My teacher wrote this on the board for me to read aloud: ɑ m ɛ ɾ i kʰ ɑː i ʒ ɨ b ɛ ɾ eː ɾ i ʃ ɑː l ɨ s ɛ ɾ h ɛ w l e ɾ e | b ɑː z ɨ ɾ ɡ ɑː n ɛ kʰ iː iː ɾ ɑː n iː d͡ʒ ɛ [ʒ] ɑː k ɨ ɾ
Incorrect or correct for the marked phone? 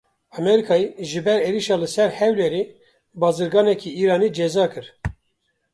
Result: incorrect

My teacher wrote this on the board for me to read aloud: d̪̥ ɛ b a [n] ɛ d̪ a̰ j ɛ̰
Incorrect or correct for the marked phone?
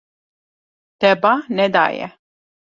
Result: correct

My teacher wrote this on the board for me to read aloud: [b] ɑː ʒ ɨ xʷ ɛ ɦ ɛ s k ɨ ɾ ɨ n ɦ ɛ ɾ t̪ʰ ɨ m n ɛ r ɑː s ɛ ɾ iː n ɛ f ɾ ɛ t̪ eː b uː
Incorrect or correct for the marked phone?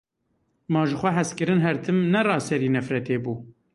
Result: incorrect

